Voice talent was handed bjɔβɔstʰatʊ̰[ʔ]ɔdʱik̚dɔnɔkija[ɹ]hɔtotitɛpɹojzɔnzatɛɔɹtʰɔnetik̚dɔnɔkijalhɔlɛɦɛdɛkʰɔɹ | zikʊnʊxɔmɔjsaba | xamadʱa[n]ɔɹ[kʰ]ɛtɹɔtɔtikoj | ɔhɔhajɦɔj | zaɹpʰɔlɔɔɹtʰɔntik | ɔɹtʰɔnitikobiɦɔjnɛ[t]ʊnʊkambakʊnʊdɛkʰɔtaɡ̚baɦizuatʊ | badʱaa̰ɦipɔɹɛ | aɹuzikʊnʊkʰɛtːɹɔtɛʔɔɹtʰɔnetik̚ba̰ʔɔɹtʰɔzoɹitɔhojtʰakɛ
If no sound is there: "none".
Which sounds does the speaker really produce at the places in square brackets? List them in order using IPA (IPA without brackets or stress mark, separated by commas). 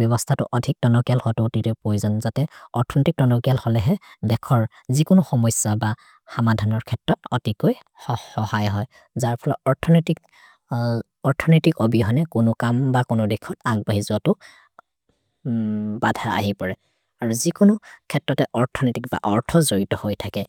ʔ, l, n, kʰ, k